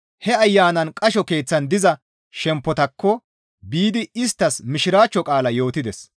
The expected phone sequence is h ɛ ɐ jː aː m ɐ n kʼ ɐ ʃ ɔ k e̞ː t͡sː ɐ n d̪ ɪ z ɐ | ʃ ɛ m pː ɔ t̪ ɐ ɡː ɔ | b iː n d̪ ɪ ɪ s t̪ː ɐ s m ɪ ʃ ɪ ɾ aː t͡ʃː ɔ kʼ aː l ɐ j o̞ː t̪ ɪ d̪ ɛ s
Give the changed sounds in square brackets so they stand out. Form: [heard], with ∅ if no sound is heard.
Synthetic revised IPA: h ɛ ɐ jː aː [n] ɐ n kʼ ɐ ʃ ɔ k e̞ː t͡sː ɐ n d̪ ɪ z ɐ | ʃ ɛ m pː ɔ t̪ ɐ [kː] ɔ | b iː [∅] d̪ ɪ ɪ s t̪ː ɐ s m ɪ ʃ ɪ ɾ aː t͡ʃː ɔ kʼ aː l ɐ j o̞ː t̪ ɪ d̪ ɛ s